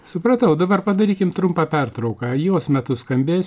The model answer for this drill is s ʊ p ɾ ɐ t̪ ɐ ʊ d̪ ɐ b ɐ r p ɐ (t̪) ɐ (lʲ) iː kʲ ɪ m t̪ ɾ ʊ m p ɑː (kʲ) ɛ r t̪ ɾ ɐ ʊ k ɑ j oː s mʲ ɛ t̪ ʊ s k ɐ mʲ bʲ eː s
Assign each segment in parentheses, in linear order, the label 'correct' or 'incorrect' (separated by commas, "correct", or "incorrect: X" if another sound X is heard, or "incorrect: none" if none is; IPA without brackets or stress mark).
incorrect: d̪, incorrect: ɾʲ, incorrect: pʲ